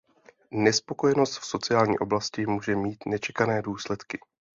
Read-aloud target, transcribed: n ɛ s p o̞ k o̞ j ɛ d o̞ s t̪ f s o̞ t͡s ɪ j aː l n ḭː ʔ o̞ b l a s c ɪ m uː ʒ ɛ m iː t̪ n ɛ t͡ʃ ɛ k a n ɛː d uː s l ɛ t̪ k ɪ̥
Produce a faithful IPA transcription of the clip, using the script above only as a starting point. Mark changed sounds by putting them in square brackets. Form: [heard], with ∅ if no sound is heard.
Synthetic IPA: n ɛ s p o̞ k o̞ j ɛ [n] o̞ s t̪ f s o̞ t͡s ɪ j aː l [ɲ] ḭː ʔ o̞ b l a s c ɪ m uː ʒ ɛ m iː t̪ n ɛ t͡ʃ ɛ k a n ɛː d uː s l ɛ t̪ k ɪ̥

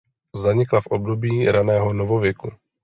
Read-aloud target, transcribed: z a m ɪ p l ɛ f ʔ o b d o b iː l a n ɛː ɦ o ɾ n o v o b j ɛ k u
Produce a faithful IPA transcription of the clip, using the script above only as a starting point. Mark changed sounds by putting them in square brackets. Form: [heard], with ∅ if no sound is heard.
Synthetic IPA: z a [ɲ] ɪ [k] l [a] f ʔ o b d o b iː [ɾ] a n ɛː ɦ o [∅] n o v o [v] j ɛ k u

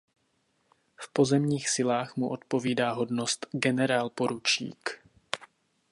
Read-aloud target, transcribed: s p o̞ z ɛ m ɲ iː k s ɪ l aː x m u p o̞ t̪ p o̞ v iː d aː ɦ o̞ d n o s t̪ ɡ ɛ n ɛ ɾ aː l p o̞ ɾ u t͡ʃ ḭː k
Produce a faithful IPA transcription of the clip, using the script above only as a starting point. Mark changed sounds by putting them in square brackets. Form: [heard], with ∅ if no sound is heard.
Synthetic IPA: [f] p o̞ z ɛ m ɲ iː [x] s ɪ l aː x m u [ʔ] o̞ t̪ p o̞ v iː d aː ɦ o̞ d n o s t̪ ɡ ɛ n ɛ ɾ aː l p o̞ ɾ u t͡ʃ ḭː k

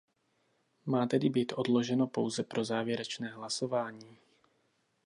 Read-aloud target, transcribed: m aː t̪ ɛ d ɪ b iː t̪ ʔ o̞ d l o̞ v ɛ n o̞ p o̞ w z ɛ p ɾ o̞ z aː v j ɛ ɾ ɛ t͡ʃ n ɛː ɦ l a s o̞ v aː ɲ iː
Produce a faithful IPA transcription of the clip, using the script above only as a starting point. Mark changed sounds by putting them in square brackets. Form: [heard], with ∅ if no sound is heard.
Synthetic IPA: m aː t̪ ɛ d ɪ b iː t̪ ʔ o̞ d l o̞ [ʒ] ɛ n o̞ p o̞ w z ɛ p ɾ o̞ z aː v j ɛ ɾ ɛ t͡ʃ n ɛː ɦ l a s o̞ v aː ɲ iː

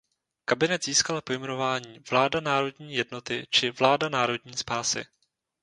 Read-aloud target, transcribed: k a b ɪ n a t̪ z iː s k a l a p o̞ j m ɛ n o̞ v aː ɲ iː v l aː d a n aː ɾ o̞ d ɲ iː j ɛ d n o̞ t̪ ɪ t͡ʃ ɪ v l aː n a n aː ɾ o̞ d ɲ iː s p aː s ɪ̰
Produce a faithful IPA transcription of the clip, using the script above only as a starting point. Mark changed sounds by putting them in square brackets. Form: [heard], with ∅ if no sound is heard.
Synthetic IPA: k a b ɪ n [ɛ] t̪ z iː s k a l a p o̞ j m ɛ n o̞ v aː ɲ iː v l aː d a n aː ɾ o̞ d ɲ iː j ɛ d n o̞ t̪ ɪ t͡ʃ ɪ v l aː [d] a n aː ɾ o̞ d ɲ iː s p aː s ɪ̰

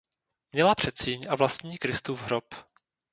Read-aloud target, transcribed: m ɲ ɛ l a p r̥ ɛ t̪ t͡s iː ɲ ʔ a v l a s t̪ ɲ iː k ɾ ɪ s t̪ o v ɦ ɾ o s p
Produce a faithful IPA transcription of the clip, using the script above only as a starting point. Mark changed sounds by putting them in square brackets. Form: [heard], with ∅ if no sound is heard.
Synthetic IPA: m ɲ ɛ l a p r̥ ɛ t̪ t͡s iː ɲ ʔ a v l a s t̪ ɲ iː k ɾ ɪ s t̪ [u] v ɦ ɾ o [∅] p

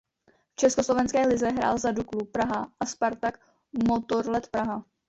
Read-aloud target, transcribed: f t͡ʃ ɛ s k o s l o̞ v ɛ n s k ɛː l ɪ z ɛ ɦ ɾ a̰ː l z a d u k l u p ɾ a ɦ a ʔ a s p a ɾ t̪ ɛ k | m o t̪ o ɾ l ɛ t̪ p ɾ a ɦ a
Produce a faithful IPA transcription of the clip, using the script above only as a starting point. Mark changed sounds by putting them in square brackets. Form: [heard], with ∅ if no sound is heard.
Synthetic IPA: f t͡ʃ ɛ s k o s l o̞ v ɛ n s k ɛː l ɪ z ɛ ɦ ɾ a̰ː l z a d u k l u p ɾ a ɦ a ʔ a s p a ɾ t̪ [a] k | m o t̪ o ɾ l ɛ t̪ p ɾ a ɦ a

